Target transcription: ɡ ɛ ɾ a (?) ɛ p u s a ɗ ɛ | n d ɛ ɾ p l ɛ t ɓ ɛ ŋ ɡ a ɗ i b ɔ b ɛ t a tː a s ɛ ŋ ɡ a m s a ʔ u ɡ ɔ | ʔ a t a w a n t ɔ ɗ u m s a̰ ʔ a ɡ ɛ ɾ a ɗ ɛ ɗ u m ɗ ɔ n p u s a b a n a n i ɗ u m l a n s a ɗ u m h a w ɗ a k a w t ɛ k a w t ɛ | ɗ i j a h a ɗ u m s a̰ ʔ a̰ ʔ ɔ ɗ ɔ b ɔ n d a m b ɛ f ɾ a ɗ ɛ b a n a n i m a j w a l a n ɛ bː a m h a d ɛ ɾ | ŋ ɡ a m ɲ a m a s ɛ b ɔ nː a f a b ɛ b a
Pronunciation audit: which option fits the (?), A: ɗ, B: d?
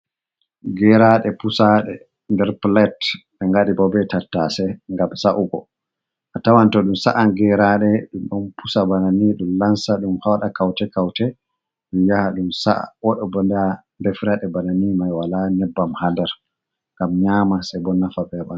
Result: A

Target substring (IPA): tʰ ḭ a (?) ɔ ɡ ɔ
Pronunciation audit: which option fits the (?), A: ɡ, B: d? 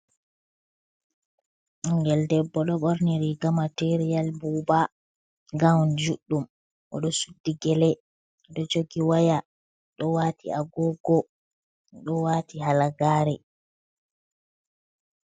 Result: A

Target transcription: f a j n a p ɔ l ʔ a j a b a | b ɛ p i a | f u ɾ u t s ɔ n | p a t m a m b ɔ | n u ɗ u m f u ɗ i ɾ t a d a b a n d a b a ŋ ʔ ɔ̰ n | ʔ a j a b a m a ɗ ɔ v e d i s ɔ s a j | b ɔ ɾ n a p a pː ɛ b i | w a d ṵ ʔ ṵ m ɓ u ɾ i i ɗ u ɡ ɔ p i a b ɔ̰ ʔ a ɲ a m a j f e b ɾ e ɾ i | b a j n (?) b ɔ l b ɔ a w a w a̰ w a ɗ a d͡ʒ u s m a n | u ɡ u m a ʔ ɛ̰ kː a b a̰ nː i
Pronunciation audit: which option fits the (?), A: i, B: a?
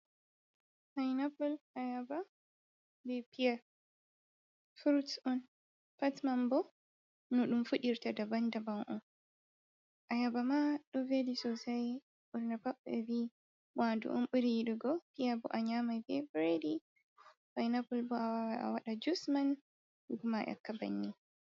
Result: B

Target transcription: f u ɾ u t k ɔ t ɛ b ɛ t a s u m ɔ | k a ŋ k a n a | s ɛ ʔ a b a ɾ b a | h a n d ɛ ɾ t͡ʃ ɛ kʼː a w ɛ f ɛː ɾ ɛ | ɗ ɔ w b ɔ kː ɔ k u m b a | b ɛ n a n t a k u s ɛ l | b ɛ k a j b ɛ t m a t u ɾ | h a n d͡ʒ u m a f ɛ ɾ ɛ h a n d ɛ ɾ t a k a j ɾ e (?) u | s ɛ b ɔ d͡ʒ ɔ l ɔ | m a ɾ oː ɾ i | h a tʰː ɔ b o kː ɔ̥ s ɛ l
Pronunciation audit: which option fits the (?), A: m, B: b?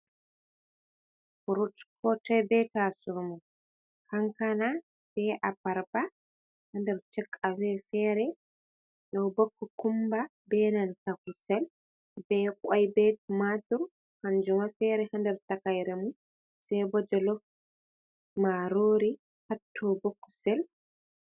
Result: A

